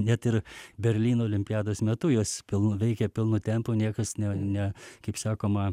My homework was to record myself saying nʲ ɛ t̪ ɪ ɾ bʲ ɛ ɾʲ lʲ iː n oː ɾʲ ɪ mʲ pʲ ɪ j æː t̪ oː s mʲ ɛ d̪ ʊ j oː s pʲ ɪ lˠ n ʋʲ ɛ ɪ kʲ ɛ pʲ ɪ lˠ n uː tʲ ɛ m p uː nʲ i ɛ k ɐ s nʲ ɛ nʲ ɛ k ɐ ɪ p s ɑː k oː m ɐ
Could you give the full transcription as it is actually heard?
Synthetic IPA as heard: nʲ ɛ t̪ ɪ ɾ bʲ ɛ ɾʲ lʲ iː n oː lʲ ɪ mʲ pʲ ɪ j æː d̪ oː s mʲ ɛ t̪ ʊ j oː s pʲ ɪ lˠ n ʋʲ ɛ ɪ kʲ ɛ pʲ ɪ lˠ n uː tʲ ɛ m p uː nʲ i ɛ k ɐ s nʲ ɛ nʲ ɛ k ɐ ɪ p s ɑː k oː m ɐ